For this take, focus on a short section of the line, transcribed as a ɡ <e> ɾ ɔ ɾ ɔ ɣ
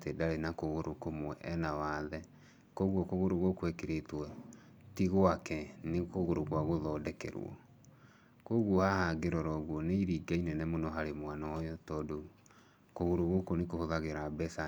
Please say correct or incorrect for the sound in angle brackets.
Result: correct